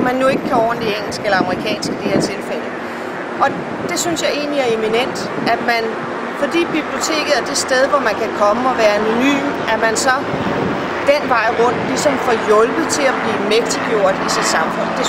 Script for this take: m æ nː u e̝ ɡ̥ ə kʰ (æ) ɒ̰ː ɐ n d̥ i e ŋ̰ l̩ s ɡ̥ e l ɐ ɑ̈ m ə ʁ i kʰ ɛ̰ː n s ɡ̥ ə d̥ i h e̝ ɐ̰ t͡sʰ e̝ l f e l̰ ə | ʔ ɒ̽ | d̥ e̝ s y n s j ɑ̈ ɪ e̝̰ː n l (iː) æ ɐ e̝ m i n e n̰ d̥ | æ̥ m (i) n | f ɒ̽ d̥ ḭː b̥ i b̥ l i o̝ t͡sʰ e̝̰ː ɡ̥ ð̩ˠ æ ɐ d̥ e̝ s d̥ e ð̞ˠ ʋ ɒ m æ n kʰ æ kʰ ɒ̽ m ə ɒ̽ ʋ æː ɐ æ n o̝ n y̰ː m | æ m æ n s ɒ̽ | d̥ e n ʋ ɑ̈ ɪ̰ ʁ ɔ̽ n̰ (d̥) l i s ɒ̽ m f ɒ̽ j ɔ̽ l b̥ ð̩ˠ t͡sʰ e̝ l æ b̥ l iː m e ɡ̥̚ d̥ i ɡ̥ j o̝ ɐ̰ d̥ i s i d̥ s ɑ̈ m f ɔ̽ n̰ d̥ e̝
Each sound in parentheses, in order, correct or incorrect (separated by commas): correct, incorrect, incorrect, correct